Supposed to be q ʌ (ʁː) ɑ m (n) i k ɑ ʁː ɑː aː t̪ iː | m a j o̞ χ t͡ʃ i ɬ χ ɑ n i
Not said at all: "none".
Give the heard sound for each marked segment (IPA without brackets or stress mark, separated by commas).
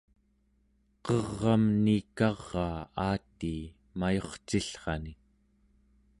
ʁː, n